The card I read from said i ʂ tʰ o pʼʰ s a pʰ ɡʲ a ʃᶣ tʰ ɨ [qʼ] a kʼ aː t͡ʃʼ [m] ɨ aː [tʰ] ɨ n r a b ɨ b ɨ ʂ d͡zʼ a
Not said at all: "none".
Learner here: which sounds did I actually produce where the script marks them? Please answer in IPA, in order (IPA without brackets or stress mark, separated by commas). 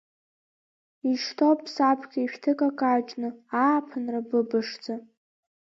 kʼ, n, pʰ